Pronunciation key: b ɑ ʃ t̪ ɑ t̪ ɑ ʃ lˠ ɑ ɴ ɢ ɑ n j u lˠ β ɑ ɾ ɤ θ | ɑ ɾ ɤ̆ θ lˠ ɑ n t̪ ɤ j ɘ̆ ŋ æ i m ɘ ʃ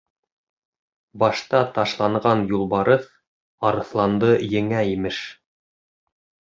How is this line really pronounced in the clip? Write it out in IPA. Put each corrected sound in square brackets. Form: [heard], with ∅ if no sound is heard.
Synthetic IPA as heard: b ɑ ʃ t̪ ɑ t̪ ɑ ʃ lˠ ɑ ɴ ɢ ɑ n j u lˠ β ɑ ɾ ɤ θ | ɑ ɾ ɤ̆ θ lˠ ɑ n [d̪] ɤ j ɘ̆ ŋ æ i m ɘ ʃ